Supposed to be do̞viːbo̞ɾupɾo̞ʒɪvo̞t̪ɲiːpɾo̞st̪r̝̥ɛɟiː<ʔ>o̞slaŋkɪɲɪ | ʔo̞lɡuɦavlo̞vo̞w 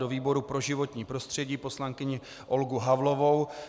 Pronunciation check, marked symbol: incorrect: p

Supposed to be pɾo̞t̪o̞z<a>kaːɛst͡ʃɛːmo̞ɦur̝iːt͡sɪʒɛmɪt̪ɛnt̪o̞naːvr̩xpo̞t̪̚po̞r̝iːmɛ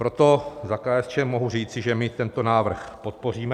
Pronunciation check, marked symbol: correct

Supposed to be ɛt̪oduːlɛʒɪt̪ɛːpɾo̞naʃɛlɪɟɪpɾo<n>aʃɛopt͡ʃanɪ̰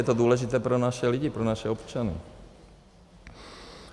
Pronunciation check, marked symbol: correct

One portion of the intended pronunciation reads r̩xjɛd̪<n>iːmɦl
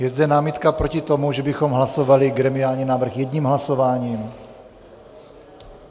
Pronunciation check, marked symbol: incorrect: ɲ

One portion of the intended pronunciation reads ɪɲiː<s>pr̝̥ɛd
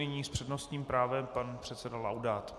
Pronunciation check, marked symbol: correct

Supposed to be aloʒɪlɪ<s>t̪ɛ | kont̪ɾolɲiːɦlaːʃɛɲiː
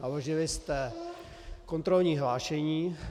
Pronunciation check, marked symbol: correct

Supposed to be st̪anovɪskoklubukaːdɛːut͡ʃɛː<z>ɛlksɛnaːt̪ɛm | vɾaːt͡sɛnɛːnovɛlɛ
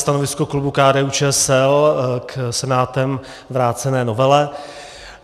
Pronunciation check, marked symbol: incorrect: s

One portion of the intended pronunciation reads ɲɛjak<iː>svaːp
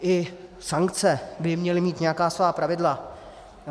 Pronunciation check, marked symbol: incorrect: aː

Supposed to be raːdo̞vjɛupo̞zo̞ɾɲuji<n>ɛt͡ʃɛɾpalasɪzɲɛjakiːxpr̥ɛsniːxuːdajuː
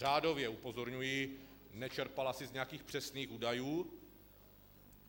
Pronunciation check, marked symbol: correct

